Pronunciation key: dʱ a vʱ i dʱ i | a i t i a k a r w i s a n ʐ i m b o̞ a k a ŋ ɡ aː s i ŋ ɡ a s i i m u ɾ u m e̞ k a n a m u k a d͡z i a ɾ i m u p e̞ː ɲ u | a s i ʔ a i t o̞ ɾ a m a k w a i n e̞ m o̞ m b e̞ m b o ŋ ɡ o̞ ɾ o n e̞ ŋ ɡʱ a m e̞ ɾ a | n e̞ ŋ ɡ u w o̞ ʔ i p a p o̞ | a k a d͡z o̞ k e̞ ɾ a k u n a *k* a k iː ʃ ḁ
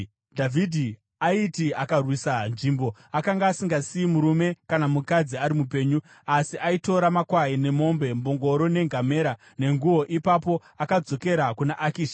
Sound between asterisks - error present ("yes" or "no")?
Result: yes